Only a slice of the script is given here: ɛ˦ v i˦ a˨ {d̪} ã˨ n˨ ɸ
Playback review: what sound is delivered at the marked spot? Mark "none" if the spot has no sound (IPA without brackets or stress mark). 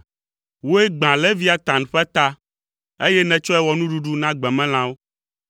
t̪